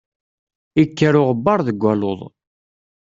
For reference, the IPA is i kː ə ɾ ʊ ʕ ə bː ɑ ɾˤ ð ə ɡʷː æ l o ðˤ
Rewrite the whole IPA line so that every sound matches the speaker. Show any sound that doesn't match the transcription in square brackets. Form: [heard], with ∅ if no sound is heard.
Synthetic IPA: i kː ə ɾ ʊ [ʁ] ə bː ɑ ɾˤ ð ə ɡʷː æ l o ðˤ